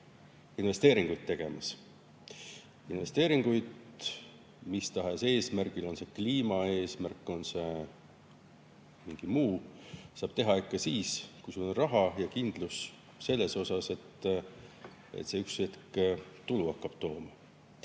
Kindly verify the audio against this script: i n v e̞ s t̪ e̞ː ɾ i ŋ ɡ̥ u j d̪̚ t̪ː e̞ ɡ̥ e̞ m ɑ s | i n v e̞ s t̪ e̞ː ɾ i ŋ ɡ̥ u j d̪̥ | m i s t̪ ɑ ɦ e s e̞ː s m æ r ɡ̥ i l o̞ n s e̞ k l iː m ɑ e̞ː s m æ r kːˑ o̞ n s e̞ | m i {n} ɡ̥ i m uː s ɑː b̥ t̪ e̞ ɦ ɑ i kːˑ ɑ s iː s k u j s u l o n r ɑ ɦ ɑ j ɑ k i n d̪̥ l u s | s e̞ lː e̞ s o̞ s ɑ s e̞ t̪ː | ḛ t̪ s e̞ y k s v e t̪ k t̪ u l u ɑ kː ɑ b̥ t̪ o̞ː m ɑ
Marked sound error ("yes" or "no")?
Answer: yes